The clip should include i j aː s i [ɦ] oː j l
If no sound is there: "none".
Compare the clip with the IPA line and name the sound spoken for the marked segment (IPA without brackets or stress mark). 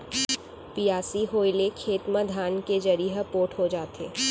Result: ɦ